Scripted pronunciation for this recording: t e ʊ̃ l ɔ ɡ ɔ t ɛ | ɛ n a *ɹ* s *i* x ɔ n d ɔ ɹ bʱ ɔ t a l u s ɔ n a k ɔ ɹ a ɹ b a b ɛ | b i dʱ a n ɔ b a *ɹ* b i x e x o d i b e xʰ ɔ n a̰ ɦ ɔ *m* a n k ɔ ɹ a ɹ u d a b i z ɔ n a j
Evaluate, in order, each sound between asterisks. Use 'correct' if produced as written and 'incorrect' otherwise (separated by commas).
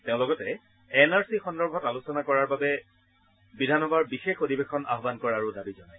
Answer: correct, correct, correct, incorrect